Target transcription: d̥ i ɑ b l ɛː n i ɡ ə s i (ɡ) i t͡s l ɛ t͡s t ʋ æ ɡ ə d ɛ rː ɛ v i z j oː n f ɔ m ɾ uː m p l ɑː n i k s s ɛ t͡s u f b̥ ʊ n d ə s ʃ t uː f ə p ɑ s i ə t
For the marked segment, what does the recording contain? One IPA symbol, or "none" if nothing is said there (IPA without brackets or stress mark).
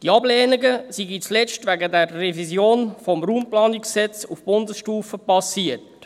ɡ